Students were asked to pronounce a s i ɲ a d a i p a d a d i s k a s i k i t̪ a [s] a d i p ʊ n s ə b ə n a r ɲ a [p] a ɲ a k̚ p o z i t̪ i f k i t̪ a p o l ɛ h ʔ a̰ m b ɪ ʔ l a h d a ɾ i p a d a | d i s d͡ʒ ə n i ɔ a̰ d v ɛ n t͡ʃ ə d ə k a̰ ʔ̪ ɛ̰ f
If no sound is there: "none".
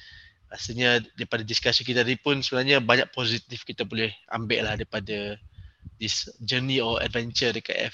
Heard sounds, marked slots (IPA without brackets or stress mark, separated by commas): none, b